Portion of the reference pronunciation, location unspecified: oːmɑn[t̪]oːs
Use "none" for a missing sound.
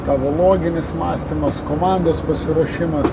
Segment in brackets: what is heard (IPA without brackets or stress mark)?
d̪